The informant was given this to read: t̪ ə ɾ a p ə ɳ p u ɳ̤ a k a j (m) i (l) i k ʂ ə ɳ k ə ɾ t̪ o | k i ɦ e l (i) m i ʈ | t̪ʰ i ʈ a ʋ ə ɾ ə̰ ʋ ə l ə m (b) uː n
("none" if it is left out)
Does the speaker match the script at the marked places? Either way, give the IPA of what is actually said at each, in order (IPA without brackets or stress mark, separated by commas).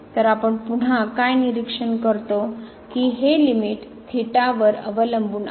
n, ɾ, i, b